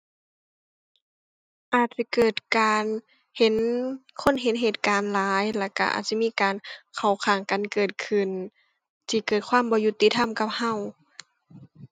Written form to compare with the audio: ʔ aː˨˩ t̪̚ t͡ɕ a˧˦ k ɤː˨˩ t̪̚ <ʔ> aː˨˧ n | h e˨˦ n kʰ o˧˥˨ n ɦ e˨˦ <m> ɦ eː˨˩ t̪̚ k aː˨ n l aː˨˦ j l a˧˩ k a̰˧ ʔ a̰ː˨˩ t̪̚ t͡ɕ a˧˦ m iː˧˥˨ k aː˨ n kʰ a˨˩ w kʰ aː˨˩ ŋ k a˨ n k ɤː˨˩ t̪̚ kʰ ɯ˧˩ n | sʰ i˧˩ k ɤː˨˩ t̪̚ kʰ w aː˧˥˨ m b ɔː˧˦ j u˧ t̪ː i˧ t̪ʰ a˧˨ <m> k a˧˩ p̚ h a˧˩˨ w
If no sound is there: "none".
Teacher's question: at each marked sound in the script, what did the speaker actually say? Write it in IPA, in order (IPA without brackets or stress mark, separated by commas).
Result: k, n, m